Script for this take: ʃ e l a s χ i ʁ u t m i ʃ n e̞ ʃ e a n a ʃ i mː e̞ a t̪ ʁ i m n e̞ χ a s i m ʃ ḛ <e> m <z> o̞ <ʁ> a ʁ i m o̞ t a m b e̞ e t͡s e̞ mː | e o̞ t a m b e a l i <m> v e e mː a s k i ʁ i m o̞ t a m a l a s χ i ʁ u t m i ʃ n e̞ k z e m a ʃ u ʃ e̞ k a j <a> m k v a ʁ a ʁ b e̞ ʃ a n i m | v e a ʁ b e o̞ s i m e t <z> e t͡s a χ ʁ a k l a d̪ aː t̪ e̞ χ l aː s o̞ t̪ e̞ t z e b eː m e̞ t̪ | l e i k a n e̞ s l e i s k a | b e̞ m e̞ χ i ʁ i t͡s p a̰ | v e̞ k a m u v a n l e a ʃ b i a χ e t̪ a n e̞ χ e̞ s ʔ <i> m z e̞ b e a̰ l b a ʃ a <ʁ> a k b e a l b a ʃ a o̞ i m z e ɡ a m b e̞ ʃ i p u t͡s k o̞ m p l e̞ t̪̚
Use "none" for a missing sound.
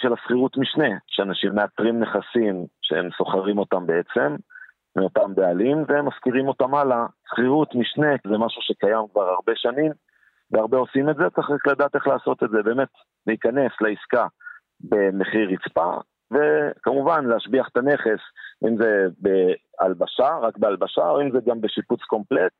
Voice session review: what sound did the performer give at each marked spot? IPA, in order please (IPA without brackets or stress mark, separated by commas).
e, s, χ, m, a, z, i, ʁ